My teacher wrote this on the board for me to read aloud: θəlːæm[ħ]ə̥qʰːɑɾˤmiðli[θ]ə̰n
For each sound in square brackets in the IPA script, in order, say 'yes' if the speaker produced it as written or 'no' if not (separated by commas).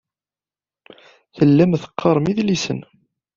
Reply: no, no